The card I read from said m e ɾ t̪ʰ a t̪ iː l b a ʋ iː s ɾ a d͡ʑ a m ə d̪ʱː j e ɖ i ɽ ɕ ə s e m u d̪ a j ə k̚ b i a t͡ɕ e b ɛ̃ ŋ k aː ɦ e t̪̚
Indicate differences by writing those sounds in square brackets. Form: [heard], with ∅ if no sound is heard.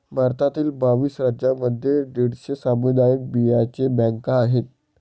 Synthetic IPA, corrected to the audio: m [a] ɾ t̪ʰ a t̪ iː l b a ʋ iː s ɾ a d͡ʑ a m ə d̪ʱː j e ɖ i ɽ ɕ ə s [a] m u d̪ a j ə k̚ b i a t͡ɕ e b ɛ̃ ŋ k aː ɦ e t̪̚